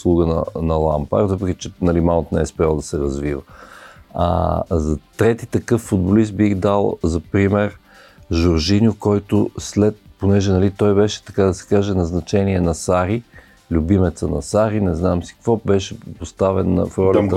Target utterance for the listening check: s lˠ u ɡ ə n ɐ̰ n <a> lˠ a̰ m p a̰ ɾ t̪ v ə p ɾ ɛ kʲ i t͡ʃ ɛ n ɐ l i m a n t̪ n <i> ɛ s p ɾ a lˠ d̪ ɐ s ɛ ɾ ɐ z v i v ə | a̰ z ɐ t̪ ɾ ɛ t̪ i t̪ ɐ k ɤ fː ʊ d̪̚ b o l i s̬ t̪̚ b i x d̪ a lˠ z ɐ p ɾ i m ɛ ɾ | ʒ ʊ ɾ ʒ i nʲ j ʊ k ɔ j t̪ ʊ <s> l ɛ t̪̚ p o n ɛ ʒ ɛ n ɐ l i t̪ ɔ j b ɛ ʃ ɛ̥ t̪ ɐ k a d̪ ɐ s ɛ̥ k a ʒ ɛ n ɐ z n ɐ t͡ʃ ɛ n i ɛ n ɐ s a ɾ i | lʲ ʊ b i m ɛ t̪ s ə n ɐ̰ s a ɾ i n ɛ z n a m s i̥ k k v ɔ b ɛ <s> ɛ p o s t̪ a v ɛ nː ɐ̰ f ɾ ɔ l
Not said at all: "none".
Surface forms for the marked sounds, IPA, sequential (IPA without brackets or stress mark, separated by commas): ɐ, ɛ, s, ʃ